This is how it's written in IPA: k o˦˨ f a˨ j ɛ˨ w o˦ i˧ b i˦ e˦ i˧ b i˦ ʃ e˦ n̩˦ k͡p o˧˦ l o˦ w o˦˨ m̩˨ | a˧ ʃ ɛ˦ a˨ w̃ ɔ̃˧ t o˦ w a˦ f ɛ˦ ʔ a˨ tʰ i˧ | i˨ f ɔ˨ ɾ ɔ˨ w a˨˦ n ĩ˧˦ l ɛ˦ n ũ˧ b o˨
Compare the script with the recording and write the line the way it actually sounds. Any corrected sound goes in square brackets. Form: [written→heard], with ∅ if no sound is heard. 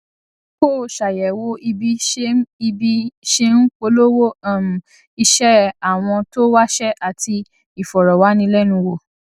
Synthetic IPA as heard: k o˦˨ [f→ʃ] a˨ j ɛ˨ w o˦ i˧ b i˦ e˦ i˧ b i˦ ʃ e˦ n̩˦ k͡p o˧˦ l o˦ w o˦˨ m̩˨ | [a˧→i˧] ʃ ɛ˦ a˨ w̃ ɔ̃˧ t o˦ w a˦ [f→ʃ] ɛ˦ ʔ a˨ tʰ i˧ | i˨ f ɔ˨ ɾ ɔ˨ w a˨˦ n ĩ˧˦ l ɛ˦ n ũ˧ [b→w] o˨